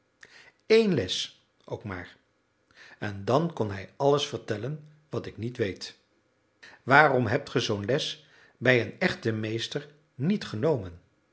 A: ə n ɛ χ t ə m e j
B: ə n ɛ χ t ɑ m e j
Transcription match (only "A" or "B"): A